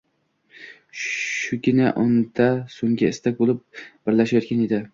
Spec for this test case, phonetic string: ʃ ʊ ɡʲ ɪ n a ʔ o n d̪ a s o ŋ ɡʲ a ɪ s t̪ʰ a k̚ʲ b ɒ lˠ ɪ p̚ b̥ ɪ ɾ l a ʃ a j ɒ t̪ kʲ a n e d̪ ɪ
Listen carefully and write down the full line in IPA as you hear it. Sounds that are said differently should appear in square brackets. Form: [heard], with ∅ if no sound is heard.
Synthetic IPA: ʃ ʊ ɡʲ ɪ n a ʔ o n d̪ a s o ŋ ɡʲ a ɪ s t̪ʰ a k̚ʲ b [o] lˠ ɪ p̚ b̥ ɪ ɾ l a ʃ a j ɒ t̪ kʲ a n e d̪ ɪ